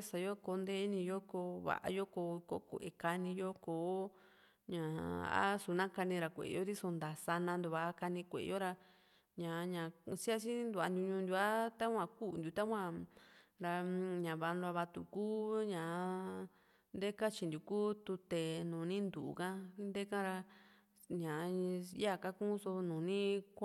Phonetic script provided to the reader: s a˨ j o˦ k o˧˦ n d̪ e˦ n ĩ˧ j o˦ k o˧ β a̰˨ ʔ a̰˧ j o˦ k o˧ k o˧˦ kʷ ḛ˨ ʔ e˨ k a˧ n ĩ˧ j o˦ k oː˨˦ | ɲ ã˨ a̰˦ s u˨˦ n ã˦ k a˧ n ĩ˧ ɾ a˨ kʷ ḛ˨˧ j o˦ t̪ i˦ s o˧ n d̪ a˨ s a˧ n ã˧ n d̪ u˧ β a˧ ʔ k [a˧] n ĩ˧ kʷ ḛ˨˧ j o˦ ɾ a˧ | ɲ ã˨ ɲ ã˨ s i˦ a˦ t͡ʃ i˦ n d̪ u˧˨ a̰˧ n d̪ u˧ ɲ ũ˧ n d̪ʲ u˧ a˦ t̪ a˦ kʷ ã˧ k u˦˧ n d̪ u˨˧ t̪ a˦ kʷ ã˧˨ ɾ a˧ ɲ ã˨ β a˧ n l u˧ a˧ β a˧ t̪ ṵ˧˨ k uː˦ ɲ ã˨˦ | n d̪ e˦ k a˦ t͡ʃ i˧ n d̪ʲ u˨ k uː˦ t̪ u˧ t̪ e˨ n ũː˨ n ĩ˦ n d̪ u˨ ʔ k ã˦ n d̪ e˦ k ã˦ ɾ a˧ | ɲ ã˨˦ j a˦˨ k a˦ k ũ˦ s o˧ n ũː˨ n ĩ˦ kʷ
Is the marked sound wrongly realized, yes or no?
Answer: no